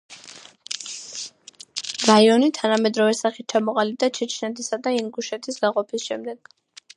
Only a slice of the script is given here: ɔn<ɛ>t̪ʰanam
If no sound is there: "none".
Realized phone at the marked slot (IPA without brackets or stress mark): i